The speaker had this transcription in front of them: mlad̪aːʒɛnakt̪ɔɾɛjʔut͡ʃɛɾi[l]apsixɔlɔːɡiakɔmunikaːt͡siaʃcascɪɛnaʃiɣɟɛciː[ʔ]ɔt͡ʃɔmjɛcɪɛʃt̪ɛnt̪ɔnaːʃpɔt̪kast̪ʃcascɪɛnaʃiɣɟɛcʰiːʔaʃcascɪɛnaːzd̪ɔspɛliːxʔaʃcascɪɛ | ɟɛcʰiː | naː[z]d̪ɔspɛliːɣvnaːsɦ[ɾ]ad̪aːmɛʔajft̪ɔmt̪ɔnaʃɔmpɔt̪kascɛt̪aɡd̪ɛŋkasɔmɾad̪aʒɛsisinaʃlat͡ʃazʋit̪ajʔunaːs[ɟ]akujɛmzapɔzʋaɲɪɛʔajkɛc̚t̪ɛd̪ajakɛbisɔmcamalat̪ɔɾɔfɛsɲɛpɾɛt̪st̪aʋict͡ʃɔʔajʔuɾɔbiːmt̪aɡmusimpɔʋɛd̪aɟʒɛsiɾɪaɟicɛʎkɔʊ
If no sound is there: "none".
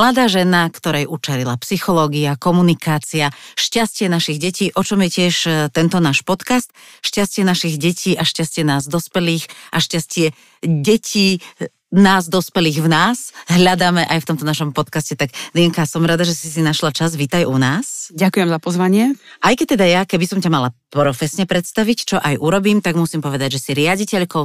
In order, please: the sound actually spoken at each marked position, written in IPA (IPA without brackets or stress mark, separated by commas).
l, ʔ, z, ʎ, ɟ